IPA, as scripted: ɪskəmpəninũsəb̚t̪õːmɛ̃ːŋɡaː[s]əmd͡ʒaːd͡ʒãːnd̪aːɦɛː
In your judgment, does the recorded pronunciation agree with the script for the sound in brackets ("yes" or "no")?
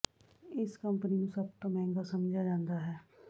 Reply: yes